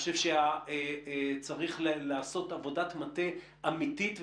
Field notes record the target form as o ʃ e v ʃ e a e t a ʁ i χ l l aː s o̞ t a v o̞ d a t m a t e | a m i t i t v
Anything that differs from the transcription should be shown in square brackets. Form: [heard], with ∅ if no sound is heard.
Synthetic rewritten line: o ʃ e v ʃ e a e [t͡s] a ʁ i χ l l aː s o̞ t a v o̞ d a t m a t e | a m i t i t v